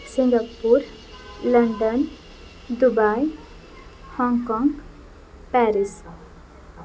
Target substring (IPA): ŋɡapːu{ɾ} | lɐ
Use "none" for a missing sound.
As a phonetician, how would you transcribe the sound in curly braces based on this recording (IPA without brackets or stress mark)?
ɾ